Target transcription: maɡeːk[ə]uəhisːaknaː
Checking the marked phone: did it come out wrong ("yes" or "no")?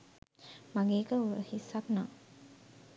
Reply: no